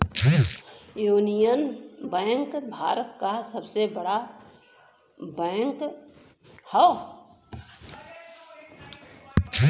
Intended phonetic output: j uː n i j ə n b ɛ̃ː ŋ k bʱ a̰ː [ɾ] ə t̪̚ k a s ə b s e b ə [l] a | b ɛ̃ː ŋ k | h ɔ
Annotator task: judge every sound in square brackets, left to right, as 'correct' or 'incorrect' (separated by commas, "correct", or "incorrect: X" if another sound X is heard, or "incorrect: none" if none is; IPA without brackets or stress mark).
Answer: correct, incorrect: ɽ